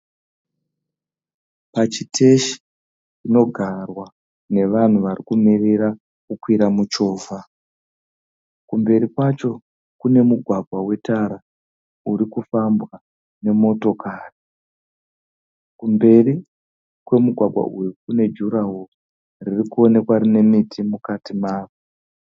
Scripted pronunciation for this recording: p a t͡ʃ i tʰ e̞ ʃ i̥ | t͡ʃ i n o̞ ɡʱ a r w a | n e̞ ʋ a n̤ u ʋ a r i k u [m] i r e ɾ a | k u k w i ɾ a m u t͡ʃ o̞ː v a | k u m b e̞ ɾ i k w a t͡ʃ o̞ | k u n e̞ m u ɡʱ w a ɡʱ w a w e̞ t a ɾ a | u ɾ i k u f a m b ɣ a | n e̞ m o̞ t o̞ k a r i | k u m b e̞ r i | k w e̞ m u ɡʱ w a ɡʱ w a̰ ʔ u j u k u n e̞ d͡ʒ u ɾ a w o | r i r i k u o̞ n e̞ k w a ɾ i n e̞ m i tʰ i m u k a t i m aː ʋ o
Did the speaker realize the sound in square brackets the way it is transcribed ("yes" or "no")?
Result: yes